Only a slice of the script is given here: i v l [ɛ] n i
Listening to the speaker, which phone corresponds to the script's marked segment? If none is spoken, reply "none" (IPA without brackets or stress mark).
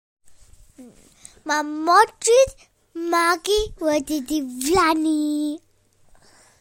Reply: a